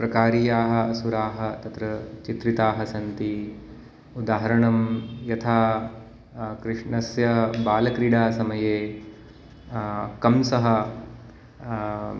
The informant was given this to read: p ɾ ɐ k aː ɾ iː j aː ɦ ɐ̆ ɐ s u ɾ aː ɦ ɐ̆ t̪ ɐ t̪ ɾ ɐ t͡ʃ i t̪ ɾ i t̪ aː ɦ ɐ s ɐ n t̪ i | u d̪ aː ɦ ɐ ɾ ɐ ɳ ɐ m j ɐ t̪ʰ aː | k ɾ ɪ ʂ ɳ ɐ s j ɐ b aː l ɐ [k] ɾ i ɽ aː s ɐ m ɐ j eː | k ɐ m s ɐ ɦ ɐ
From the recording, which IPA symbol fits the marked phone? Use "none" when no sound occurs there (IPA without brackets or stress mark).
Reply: k